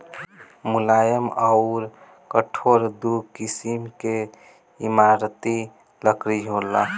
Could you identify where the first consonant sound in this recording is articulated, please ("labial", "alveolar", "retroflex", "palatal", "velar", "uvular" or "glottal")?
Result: labial